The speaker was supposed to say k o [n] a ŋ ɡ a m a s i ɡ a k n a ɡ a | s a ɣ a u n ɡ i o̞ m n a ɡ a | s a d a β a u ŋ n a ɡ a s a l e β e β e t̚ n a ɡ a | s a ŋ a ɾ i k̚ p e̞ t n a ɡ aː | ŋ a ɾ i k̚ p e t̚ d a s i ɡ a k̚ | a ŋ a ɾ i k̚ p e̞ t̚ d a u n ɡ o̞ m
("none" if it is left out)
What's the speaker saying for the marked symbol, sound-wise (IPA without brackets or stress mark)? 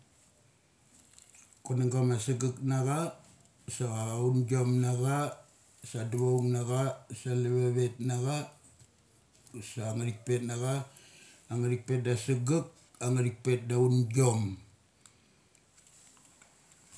n